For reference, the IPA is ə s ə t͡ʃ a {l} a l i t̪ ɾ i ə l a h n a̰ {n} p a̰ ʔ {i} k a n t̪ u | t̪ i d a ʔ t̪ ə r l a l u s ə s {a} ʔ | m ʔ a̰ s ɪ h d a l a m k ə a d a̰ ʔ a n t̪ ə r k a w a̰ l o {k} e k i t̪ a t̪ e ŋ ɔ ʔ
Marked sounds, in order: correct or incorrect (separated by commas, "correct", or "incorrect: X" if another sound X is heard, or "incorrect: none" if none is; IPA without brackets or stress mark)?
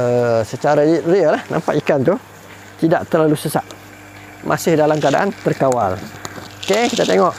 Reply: incorrect: ɾ, incorrect: m, correct, correct, correct